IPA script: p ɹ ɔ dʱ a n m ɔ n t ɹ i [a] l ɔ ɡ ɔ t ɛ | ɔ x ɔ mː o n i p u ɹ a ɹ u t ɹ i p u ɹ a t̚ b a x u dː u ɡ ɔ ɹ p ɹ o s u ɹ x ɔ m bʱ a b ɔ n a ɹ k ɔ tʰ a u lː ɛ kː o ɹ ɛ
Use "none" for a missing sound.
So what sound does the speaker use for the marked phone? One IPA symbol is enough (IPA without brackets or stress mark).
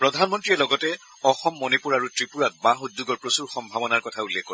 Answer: ɛ